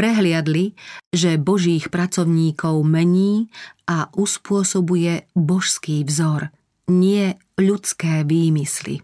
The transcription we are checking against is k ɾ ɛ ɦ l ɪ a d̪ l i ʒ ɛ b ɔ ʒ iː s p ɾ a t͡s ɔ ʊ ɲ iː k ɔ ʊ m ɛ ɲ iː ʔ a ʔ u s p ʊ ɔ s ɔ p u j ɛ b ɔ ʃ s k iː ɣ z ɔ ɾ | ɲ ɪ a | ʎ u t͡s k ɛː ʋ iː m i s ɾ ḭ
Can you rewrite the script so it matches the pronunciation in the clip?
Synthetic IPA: p ɾ ɛ ɦ l ɪ a d̪ l i ʒ ɛ b ɔ ʒ iː x p ɾ a t͡s ɔ ʊ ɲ iː k ɔ ʊ m ɛ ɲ iː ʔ a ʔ u s p ʊ ɔ s ɔ b u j ɛ b ɔ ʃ s k iː v z ɔ ɾ | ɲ ɪ ɛ | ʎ u t͡s k ɛː ʋ iː m i s l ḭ